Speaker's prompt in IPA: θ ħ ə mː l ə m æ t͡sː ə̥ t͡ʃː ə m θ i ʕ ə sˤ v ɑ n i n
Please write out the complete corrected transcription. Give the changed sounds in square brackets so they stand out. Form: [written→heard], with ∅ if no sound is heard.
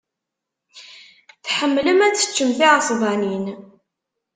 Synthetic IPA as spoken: θ ħ ə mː l ə m æ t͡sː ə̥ t͡ʃː ə m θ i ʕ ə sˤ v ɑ n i n